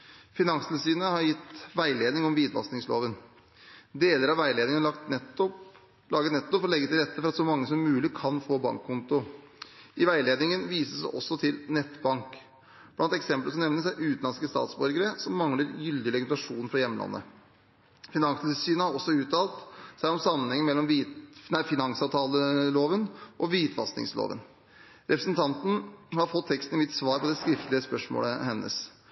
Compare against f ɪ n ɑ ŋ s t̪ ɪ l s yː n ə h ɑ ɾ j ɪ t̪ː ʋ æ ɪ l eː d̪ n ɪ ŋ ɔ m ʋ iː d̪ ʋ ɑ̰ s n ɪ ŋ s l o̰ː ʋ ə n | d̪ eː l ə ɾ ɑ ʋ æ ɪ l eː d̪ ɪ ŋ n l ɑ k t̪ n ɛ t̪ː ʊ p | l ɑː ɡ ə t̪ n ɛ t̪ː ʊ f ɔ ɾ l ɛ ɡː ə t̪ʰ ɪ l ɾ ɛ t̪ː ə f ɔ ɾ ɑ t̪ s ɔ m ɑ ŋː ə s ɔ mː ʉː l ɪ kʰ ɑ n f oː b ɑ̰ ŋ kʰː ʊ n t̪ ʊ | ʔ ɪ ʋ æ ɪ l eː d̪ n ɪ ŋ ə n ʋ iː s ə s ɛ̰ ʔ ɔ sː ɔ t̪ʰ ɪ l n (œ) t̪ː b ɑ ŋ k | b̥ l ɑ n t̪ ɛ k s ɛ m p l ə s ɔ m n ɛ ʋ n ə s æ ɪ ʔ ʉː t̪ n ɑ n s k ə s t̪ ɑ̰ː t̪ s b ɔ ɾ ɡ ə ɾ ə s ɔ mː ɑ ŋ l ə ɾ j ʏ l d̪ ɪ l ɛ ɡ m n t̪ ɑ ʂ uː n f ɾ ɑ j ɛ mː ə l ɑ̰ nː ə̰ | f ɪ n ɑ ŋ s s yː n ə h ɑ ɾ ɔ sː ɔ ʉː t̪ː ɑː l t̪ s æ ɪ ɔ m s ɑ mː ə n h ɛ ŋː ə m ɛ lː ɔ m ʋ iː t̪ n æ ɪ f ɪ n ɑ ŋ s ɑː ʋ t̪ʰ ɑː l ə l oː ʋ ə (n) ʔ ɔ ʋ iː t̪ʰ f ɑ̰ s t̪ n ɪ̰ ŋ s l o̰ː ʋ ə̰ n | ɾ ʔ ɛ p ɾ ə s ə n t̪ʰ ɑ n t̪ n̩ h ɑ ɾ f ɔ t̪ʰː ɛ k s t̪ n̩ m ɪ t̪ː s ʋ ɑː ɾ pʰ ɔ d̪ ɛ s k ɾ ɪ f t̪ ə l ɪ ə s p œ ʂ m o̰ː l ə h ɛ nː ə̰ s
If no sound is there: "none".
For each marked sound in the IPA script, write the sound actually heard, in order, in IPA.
ɛ, n

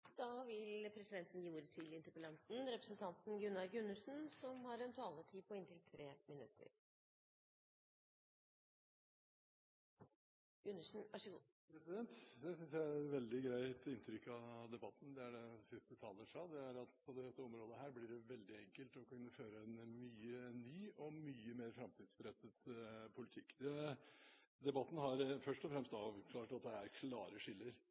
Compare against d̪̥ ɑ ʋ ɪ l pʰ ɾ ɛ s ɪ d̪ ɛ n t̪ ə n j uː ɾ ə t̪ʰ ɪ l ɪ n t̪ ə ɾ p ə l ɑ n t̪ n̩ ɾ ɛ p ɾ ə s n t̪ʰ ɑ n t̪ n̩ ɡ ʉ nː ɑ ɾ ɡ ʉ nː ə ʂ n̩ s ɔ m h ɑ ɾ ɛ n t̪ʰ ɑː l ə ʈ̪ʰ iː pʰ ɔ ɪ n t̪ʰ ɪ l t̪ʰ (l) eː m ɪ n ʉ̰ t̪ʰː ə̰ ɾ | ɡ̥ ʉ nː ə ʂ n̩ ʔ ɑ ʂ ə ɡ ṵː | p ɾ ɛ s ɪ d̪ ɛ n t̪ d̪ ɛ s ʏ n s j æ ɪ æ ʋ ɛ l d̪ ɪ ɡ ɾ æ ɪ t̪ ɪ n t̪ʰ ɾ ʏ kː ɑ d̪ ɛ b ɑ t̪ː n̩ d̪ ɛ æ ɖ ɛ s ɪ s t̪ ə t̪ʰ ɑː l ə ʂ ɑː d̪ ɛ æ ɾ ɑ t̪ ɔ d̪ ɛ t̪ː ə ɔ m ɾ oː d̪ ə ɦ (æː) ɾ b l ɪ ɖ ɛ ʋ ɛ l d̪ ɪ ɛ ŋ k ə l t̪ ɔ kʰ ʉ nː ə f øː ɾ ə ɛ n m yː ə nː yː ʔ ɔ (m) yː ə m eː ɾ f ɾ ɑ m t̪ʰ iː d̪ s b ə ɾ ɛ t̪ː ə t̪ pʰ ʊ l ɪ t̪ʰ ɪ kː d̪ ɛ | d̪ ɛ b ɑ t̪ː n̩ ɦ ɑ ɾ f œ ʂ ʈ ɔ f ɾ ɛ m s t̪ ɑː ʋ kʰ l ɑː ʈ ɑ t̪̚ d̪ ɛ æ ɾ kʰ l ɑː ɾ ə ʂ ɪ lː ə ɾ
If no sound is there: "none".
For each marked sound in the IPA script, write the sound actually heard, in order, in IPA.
ɾ, æː, m

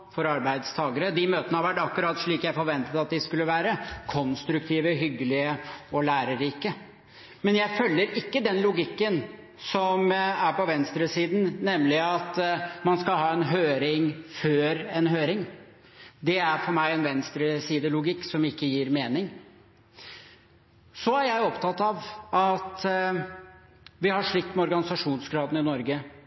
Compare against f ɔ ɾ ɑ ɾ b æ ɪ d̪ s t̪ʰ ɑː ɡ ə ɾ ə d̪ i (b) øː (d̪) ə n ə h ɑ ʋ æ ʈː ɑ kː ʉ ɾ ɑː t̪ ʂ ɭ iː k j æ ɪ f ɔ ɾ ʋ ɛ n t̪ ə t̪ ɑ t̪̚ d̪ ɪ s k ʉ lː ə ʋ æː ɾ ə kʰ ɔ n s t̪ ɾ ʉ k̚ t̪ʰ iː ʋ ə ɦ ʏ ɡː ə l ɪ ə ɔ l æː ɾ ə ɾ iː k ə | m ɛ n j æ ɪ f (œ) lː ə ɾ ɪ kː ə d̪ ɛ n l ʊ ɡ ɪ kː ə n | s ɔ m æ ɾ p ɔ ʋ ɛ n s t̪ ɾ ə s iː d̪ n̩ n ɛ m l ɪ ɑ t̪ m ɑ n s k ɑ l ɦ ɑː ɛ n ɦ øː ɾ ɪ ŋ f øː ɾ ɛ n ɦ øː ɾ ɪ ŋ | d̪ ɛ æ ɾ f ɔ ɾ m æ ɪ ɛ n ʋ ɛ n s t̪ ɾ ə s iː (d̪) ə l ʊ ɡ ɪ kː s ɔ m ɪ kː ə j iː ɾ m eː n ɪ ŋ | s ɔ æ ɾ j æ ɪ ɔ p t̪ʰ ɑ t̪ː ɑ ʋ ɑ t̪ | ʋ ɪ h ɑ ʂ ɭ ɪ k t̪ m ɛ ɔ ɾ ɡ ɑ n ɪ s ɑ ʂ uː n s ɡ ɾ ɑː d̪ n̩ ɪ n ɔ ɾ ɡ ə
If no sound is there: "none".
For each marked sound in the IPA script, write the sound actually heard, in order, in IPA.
m, t̪, œ, d̪

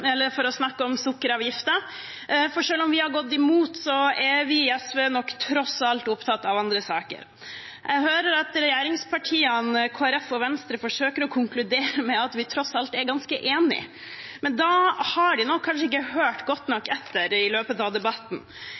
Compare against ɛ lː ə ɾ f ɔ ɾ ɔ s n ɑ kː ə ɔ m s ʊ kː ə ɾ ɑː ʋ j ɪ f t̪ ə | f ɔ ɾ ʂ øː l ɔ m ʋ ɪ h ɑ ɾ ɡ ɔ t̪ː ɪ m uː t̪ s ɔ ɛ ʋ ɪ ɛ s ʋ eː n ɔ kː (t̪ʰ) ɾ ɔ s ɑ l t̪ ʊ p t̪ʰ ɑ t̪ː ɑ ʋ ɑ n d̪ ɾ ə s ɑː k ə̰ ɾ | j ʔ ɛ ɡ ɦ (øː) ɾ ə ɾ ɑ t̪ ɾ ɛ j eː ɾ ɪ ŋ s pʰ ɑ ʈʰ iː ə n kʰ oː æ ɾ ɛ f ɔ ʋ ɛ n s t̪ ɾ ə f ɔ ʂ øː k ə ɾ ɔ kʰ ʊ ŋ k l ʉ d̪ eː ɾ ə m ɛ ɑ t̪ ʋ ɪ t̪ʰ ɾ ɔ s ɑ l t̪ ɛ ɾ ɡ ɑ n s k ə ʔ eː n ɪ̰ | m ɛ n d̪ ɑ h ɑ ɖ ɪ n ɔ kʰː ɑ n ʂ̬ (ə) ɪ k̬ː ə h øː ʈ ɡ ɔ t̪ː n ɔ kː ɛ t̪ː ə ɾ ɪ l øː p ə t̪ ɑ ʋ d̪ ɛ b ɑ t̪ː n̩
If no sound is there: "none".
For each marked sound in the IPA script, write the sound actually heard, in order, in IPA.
t̪ʰ, øː, ə

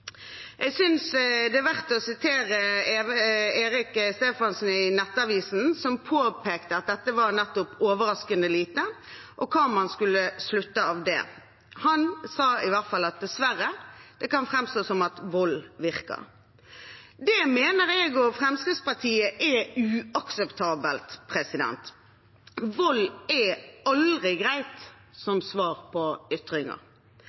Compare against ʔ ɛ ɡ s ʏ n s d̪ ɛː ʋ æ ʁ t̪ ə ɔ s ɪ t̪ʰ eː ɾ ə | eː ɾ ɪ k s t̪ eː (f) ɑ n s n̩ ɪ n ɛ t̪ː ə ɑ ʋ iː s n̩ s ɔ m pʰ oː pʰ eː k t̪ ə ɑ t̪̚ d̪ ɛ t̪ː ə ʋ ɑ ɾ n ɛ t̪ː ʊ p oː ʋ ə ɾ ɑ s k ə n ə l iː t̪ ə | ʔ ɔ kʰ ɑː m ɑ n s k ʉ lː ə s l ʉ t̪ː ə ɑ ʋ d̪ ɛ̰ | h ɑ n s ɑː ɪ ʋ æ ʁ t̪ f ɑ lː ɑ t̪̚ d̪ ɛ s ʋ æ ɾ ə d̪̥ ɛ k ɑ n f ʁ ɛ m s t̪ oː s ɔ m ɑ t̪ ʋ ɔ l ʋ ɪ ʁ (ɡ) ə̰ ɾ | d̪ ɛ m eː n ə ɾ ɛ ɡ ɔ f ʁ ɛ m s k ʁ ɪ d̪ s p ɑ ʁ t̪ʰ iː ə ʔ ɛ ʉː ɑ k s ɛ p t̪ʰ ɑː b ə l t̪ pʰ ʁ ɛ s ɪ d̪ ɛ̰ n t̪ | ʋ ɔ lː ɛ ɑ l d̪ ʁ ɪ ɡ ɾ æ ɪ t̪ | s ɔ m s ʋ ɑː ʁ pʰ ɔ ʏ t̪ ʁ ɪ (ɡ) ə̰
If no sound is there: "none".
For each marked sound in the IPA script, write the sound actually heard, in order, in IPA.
f, k, ŋ

